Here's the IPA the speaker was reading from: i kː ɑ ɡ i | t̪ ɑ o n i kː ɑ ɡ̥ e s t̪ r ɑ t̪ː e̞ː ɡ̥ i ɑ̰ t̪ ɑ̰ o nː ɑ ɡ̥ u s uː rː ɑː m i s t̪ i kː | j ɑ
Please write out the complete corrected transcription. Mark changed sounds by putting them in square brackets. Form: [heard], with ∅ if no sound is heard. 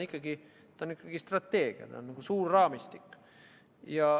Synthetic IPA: i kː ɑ ɡ i | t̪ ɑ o n i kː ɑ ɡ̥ [i] s t̪ r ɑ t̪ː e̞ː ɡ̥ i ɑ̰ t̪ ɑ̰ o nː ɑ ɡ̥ u s uː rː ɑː m i s t̪ i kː | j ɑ